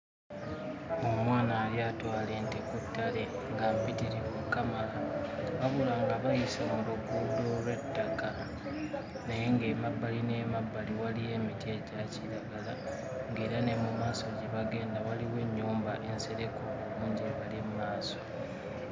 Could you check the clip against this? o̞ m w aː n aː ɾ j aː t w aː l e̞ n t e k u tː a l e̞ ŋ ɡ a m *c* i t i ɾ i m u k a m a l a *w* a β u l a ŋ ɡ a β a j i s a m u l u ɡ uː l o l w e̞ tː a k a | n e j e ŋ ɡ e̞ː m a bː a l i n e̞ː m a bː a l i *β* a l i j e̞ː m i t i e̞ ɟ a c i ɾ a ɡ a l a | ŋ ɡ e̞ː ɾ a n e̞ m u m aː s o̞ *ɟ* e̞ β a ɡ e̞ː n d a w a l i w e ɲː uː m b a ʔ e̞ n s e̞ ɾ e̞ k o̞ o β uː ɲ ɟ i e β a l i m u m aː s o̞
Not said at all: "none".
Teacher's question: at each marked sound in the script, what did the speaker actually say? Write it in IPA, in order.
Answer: p, β, w, ɟ

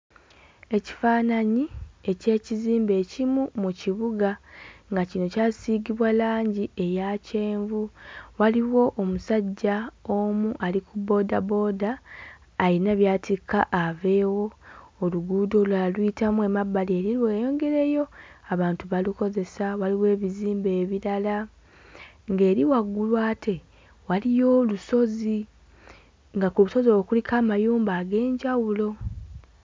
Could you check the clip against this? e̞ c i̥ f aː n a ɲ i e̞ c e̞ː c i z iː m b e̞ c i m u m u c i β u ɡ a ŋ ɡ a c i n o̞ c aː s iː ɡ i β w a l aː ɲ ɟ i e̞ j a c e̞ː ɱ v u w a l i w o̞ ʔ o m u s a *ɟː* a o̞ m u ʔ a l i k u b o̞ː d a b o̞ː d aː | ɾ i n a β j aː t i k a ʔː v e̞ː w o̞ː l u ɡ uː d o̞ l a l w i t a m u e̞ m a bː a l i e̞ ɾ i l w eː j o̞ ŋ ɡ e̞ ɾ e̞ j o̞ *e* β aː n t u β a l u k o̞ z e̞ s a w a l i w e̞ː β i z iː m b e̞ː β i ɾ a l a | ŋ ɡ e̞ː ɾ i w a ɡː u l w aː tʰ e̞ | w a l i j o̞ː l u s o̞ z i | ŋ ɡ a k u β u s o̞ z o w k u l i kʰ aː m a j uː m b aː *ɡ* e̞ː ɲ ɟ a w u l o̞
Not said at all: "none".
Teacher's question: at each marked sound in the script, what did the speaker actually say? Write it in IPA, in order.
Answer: ɟː, a, ɡ

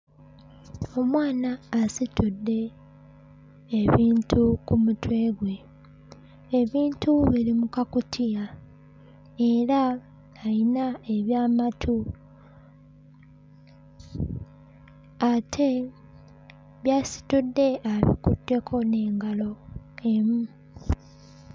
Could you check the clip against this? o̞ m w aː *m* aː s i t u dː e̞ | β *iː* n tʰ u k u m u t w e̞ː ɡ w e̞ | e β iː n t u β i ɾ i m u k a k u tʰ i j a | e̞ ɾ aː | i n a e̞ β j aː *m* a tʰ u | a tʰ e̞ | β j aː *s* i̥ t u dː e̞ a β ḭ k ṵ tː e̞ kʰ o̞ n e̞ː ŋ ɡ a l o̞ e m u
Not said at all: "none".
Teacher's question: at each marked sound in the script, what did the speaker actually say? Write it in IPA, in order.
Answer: n, iː, m, s

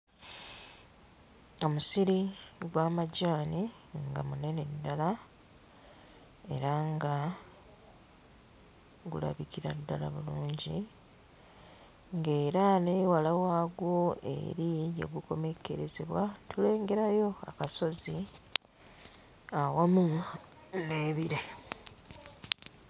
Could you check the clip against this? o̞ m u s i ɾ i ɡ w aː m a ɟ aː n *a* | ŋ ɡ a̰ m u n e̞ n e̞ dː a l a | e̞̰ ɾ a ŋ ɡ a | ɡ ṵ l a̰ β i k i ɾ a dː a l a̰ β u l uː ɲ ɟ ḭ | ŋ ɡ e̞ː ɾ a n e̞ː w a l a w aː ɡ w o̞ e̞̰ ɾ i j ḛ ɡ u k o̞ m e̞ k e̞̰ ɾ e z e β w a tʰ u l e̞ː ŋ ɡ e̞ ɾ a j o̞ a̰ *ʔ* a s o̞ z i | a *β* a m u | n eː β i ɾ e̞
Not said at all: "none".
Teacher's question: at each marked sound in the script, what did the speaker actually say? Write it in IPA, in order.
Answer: i, k, w

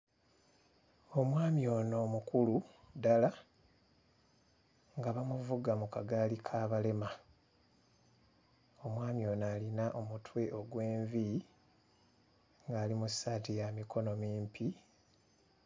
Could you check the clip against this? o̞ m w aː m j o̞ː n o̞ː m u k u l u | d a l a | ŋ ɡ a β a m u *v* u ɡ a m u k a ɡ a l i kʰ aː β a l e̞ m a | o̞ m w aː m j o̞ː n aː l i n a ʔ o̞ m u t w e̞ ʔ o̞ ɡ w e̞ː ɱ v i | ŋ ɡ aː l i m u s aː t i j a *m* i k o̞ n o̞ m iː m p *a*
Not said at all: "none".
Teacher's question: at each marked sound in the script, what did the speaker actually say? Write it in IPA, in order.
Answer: v, m, i

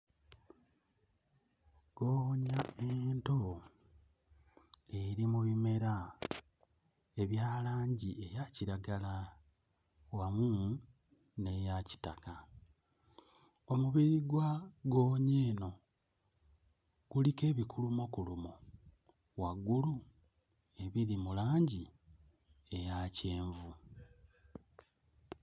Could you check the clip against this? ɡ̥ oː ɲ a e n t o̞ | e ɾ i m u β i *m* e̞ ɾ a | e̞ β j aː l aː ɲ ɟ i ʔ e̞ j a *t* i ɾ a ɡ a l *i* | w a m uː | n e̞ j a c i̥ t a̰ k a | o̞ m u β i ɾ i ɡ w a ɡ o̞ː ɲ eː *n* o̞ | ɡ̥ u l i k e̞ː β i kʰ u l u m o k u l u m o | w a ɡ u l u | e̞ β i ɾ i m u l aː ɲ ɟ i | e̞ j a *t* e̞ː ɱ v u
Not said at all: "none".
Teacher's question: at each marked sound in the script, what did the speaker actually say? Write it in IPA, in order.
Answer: m, c, a, n, c

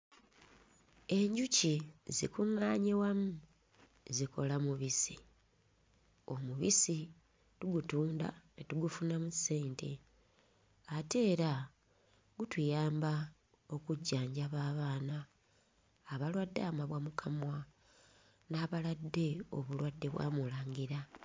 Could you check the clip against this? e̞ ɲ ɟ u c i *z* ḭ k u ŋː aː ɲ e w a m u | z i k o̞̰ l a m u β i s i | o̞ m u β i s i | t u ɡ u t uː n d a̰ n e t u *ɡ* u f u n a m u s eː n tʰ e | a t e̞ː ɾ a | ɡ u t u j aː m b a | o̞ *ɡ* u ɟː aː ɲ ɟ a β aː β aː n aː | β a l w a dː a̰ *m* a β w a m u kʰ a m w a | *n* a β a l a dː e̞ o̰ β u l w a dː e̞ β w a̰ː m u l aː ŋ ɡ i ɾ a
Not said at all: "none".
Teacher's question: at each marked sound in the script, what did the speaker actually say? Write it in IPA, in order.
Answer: z, ɡ, k, m, n

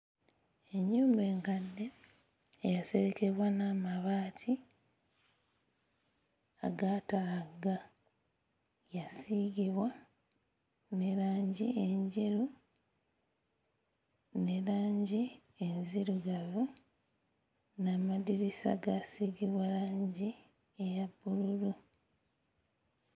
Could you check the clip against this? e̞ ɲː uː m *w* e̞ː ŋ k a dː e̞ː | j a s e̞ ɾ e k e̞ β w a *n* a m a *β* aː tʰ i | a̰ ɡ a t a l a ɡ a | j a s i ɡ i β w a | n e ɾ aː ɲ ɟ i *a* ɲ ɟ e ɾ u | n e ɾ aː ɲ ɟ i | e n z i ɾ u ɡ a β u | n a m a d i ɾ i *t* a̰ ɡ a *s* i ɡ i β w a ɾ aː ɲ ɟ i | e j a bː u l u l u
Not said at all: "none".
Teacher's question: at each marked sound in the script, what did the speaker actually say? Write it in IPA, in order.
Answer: b, n, β, e, s, s

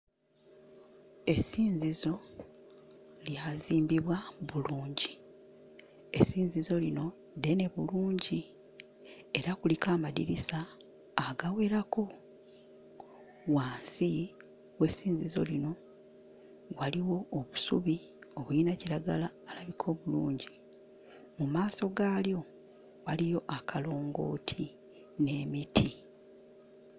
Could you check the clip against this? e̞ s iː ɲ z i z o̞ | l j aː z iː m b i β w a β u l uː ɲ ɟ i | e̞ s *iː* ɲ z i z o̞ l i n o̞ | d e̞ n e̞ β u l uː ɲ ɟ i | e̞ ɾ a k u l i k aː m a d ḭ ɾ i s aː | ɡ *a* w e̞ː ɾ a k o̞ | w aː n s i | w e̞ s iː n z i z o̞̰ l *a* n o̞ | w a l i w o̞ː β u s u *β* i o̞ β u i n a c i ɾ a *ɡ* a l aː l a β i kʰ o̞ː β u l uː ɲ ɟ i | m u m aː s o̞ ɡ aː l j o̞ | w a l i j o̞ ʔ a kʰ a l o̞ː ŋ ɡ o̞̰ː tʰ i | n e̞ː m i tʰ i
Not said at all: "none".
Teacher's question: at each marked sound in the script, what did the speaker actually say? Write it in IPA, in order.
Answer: iː, a, i, β, ɡ

